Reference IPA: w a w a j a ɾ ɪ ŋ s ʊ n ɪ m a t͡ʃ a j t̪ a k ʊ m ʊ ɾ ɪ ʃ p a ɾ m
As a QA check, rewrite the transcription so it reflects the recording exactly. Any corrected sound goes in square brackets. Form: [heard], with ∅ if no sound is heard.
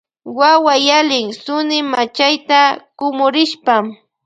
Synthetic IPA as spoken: w a w a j a [l] ɪ ŋ s ʊ n ɪ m a t͡ʃ a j t̪ a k ʊ m ʊ ɾ ɪ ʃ p a [∅] m